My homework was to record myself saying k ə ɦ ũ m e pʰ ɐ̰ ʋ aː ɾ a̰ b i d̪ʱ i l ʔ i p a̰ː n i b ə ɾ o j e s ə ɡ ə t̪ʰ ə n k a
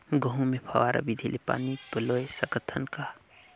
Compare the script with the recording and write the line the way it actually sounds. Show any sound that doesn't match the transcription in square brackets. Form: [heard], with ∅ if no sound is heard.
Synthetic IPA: [ɡ] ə ɦ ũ m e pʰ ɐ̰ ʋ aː ɾ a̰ b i d̪ʱ i l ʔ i p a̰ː n i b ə [l] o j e s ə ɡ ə t̪ʰ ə n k a